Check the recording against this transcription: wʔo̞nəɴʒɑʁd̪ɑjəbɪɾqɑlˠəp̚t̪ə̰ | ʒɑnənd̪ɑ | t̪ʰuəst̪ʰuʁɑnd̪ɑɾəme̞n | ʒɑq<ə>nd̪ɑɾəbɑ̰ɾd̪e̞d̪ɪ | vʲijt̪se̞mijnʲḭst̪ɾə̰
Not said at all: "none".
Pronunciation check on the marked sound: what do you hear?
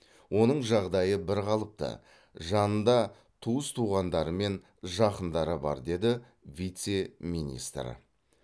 ə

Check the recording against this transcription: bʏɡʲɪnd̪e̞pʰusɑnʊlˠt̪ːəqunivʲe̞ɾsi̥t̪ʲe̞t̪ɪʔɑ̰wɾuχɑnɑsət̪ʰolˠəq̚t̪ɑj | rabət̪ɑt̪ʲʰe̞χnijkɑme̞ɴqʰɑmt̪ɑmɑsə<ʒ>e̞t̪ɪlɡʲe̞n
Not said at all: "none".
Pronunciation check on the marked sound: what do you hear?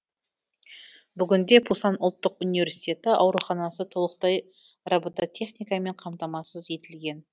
z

